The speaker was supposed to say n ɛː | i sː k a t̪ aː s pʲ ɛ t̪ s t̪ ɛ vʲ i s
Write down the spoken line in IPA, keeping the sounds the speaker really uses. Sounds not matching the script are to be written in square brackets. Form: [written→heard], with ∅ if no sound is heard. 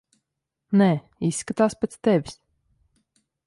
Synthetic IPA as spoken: n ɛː | i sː k a t̪ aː s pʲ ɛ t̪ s t̪ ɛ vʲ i s